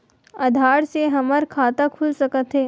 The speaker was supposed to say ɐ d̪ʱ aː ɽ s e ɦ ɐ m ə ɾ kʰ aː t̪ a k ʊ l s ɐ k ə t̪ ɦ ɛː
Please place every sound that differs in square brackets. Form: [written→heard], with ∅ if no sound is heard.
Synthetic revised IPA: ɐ d̪ʱ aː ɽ s e ɦ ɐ m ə ɾ kʰ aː t̪ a [k→kʰ] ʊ l s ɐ k ə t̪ ɦ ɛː